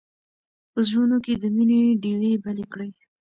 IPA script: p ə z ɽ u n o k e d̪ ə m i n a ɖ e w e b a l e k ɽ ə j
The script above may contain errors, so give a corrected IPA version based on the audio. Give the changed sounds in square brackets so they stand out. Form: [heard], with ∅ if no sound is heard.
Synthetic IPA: p ə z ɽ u n o k e d̪ ə m i n [e] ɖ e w e b a l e k ɽ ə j